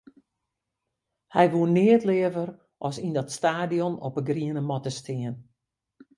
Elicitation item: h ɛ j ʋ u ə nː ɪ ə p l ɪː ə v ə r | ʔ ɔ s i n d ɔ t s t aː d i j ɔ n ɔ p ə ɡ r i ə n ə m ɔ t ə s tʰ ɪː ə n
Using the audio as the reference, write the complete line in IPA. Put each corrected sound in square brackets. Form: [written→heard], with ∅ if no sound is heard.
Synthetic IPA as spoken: h ɛ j ʋ u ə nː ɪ ə [p→t] l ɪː ə v ə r | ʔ ɔ s i n d ɔ t s t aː d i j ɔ n ɔ p ə ɡ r i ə n ə m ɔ t ə s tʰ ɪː ə n

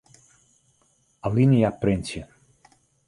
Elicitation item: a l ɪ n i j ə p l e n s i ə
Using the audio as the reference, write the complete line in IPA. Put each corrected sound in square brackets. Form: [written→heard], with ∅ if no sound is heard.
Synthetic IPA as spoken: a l [ɪ→i] n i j [ə→a] p [l→ɾ] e n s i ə

